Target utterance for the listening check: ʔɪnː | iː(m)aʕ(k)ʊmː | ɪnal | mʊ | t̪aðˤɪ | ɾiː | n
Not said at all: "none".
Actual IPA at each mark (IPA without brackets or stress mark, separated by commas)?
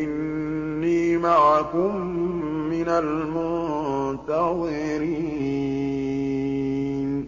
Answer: m, k